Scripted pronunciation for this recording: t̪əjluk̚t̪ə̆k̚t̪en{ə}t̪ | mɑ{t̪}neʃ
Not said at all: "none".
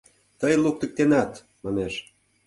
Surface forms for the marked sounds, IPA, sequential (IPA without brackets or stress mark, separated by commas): ɑ, none